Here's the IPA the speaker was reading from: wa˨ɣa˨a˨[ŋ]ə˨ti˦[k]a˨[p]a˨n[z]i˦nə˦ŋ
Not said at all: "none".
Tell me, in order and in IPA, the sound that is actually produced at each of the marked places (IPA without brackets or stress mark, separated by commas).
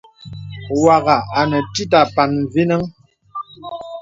n, t, p, v